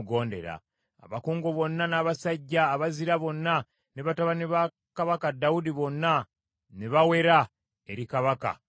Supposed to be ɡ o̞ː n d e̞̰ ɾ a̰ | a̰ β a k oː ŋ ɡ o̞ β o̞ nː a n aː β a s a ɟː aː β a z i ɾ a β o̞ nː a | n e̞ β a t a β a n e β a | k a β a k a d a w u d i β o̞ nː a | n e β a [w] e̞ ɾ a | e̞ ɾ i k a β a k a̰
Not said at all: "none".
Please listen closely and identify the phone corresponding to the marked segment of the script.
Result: w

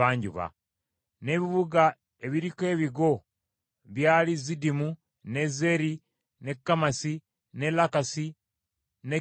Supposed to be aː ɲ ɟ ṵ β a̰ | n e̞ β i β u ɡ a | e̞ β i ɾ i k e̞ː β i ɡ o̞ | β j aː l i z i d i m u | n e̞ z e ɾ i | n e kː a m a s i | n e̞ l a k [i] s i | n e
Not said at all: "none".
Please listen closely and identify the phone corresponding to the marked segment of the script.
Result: a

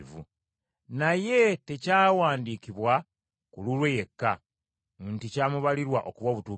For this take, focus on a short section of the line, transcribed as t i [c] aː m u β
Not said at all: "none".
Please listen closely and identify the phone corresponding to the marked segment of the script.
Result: c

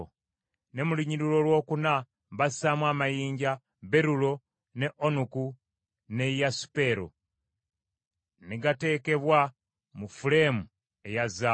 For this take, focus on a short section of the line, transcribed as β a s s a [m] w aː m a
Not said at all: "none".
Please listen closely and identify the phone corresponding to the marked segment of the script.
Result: m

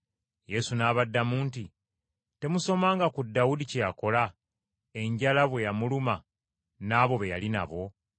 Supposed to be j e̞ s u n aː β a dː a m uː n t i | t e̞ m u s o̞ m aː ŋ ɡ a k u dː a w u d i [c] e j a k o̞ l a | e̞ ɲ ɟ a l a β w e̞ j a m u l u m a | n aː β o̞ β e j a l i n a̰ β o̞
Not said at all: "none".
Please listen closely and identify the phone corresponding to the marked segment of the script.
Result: c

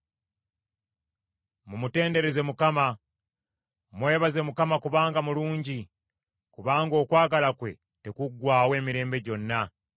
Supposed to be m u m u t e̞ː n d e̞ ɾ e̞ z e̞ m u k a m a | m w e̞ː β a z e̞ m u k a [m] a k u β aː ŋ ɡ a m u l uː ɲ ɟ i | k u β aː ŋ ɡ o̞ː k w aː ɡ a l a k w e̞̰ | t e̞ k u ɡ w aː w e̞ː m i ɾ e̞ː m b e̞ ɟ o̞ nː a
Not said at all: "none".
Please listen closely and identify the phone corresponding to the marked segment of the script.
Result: m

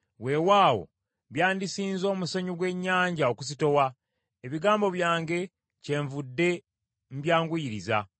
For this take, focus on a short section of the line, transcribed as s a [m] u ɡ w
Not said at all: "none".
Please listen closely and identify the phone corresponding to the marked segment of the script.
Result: ɲ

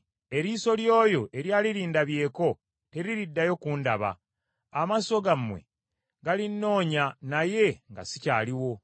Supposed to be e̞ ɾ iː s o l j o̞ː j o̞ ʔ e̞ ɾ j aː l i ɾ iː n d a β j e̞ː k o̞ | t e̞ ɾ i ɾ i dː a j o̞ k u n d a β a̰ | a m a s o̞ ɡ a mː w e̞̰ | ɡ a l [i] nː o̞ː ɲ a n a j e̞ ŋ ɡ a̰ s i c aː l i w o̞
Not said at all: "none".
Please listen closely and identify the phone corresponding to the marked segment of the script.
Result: i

